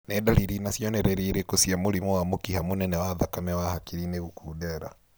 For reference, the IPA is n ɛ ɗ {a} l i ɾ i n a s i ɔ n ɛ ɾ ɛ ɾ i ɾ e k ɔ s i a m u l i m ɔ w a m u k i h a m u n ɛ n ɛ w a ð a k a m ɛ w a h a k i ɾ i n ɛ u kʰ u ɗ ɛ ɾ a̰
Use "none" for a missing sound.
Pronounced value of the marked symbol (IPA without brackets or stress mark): a